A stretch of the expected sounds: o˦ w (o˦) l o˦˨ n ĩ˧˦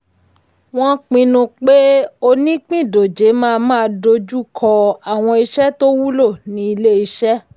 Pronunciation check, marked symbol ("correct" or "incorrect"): incorrect